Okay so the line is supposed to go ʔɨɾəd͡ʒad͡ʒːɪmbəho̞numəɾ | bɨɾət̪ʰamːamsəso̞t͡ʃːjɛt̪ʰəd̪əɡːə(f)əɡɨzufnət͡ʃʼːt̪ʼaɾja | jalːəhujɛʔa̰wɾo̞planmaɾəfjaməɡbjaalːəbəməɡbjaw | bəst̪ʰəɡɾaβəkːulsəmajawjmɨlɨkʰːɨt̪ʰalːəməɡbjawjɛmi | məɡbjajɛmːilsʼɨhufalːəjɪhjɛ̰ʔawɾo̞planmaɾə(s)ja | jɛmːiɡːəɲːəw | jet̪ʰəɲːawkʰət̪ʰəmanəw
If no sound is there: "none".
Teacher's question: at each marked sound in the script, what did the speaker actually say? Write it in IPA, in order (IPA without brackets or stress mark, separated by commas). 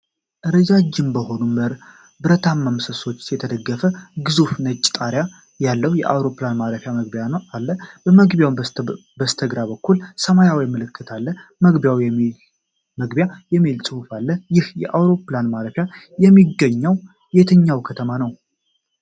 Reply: f, f